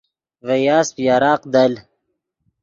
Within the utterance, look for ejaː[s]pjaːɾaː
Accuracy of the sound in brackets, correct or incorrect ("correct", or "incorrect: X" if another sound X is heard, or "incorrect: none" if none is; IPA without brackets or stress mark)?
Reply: correct